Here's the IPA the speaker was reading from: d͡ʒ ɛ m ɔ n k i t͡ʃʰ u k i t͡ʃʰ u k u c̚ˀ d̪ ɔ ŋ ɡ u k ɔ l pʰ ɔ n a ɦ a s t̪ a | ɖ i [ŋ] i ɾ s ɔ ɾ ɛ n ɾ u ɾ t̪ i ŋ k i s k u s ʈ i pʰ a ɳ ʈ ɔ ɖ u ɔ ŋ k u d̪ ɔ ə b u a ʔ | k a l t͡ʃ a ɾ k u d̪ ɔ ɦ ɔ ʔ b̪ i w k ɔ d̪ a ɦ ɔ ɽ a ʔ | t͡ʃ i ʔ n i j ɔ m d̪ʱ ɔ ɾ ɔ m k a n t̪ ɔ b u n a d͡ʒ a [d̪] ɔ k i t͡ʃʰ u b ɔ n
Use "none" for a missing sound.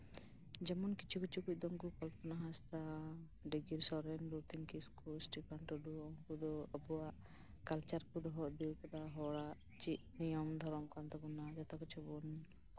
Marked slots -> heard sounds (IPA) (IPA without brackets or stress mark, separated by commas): ɡ, t̪